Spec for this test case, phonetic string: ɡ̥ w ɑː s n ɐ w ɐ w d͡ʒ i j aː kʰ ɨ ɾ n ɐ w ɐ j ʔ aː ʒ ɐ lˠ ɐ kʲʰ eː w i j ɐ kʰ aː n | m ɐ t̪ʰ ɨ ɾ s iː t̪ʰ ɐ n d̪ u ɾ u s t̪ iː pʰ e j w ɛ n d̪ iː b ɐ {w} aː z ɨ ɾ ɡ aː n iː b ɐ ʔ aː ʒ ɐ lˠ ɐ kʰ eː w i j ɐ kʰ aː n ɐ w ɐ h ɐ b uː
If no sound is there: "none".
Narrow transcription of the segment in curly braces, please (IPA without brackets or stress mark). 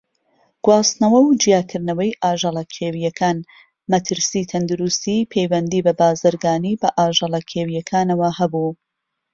b